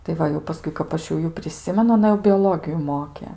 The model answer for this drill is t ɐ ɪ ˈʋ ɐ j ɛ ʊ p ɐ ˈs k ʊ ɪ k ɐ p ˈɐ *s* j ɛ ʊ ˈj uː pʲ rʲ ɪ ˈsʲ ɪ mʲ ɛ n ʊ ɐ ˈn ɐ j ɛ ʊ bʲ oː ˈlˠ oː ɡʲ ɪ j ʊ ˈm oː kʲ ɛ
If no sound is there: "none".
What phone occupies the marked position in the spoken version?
ʃ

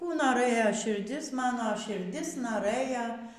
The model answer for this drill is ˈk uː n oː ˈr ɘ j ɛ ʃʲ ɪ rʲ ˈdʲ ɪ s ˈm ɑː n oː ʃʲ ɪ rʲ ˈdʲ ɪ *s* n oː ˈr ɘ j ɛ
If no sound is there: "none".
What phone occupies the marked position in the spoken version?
s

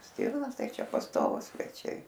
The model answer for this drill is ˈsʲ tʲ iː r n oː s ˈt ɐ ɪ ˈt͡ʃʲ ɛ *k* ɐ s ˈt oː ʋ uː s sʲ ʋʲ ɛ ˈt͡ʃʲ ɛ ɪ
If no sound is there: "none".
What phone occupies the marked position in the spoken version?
p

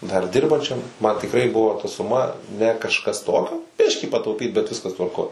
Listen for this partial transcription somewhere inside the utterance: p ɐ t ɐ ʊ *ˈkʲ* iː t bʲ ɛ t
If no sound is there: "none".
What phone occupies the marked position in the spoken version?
pʲ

